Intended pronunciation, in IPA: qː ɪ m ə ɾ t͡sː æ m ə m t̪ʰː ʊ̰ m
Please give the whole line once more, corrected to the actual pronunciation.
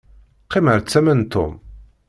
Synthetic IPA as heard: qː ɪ m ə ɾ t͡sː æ m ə n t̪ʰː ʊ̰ m